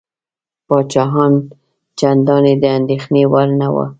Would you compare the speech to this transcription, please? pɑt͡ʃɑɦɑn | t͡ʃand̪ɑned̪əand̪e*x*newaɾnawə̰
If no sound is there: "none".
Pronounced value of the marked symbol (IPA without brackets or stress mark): x